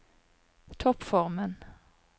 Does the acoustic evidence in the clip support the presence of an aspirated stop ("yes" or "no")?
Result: yes